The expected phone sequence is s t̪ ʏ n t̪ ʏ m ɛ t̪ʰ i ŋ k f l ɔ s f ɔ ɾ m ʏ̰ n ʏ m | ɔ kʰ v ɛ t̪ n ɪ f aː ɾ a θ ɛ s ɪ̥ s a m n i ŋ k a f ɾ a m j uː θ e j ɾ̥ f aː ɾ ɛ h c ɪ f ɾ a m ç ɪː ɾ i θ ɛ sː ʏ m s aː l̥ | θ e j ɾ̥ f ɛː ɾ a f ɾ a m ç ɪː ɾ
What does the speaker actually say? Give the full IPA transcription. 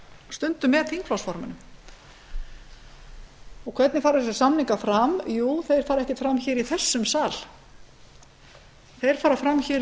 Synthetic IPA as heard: s t̪ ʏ n t̪ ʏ m ɛ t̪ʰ i ŋ k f l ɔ s f ɔ ɾ m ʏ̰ n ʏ m | ɔ kʰ v ɛ t̪ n ɪ f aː ɾ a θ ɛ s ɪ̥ s a m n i ŋ k a f ɾ a m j uː θ e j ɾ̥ f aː ɾ ɛ h c ɪ f ɾ a m ç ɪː ɾ i θ ɛ sː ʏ m s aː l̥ | θ e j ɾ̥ f aː ɾ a f ɾ a m ç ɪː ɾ